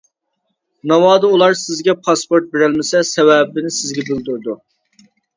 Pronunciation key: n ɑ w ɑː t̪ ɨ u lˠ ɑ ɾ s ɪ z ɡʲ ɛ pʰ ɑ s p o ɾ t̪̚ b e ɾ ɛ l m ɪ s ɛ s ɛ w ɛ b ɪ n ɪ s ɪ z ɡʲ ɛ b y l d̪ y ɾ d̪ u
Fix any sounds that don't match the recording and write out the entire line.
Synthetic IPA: n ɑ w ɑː d̪ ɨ u lˠ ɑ ɾ s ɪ z ɡʲ ɛ pʰ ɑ s p o ɾ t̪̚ b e ɾ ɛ l m ɪ s ɛ s ɛ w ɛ b ɪ n ɪ s ɪ z ɡʲ ɛ b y l d̪ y ɾ d̪ u